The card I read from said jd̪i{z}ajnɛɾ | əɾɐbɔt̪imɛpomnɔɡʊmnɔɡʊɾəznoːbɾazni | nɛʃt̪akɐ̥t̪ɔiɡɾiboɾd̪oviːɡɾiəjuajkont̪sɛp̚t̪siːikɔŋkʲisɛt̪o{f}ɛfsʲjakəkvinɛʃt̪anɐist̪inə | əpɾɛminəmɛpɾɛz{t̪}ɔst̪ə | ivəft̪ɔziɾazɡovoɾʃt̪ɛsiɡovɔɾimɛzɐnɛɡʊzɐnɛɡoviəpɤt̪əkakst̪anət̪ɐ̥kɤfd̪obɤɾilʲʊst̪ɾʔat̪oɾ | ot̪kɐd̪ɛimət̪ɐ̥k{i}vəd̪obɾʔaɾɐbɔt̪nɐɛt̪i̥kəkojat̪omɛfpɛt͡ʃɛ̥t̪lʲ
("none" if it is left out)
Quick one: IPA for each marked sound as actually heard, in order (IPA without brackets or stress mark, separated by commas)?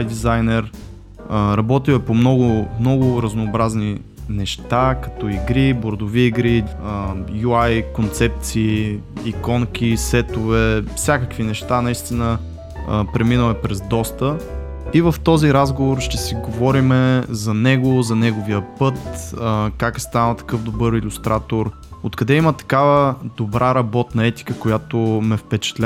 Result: z, v, d̪, a